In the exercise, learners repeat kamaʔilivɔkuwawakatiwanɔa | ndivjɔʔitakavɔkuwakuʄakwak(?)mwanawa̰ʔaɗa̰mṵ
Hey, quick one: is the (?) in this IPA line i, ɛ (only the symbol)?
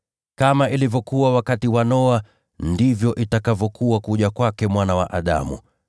ɛ